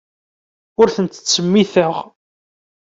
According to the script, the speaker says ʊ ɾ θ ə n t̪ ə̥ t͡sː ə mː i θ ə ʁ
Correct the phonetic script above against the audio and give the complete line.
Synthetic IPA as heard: ʊ ɾ θ ə n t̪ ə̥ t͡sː ə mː i θ ə ʁ